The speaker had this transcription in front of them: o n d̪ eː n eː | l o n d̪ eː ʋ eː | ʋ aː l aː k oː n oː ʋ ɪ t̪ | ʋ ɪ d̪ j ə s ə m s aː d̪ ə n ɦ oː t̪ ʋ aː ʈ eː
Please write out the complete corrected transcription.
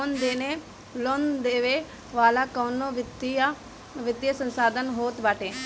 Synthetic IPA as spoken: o n d̪ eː n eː | l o n d̪ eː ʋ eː | ʋ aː l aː k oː n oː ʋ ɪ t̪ | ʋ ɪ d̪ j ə s ə n s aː d̪ ə n ɦ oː t̪ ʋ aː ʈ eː